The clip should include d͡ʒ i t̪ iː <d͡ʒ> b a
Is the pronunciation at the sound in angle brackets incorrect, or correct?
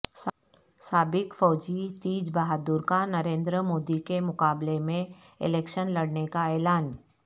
correct